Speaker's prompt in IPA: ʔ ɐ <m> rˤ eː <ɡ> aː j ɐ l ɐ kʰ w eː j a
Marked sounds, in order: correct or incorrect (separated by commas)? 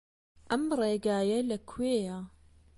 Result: correct, correct